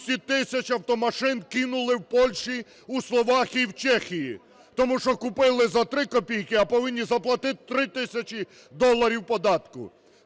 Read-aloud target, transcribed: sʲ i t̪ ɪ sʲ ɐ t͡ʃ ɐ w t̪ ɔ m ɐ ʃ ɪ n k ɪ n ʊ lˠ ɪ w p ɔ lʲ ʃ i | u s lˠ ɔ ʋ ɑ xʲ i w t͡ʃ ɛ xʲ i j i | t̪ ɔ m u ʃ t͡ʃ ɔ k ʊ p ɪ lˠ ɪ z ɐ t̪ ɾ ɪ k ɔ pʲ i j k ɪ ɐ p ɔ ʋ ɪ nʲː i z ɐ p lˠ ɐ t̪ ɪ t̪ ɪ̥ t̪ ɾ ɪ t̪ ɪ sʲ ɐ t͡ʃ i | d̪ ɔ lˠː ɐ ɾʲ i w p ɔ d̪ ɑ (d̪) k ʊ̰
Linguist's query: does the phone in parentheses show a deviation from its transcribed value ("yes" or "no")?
yes